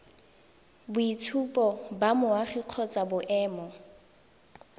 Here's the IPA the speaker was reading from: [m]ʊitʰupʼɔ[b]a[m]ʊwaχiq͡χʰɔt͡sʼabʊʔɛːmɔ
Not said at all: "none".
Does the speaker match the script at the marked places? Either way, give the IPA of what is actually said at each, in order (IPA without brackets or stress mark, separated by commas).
b, b, m